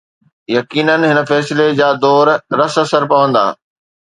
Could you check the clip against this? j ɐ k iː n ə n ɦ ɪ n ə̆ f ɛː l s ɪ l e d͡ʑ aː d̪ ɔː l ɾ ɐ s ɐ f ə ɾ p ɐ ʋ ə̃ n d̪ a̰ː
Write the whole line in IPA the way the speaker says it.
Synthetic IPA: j ɐ k iː n ə n ɦ ɪ n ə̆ f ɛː s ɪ l e d͡ʑ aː d̪ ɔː ɾ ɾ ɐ s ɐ s ə ɾ p ɐ ʋ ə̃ n d̪ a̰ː